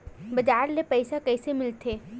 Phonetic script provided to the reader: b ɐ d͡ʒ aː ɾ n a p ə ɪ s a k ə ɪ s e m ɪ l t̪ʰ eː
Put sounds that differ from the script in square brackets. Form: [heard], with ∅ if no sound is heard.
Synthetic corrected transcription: b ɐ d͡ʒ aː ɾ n [e] p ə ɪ s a k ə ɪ s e m ɪ l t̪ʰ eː